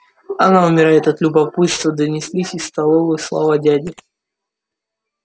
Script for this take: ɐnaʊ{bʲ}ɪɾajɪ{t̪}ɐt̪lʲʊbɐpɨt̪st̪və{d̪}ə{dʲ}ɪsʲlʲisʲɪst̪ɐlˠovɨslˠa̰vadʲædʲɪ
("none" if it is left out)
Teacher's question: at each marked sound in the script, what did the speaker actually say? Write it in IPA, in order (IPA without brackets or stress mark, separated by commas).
mʲ, t̪, d̪, nʲ